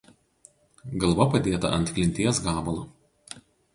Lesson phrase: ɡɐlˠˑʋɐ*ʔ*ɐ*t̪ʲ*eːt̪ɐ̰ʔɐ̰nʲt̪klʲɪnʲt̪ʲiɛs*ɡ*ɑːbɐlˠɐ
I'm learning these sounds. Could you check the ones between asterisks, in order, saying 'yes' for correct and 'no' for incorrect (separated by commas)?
no, no, yes